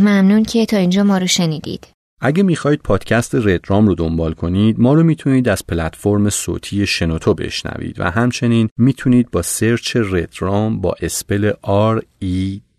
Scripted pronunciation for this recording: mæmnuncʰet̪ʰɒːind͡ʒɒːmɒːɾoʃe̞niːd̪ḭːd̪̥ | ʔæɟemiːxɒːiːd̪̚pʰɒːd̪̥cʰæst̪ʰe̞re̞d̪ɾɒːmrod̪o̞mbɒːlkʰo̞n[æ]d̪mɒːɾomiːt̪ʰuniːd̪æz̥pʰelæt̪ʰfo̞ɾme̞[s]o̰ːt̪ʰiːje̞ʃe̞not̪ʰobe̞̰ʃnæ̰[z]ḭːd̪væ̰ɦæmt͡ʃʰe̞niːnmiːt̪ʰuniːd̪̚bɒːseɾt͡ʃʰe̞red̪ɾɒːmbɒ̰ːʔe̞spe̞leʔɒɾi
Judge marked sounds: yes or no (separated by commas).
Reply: no, yes, no